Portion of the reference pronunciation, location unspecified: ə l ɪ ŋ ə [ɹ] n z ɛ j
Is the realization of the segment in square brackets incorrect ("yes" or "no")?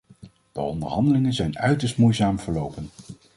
yes